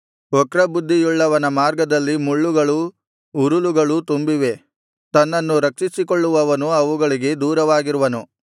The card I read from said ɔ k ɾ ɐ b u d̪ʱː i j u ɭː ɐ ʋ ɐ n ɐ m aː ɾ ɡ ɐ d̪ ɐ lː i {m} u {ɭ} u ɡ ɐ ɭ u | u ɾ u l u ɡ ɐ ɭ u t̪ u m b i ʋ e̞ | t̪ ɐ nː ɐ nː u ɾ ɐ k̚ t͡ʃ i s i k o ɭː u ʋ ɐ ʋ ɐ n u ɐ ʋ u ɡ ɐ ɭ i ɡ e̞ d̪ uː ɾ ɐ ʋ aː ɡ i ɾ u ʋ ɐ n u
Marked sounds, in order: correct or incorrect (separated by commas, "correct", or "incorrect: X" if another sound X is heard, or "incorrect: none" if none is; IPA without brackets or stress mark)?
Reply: correct, incorrect: ɭː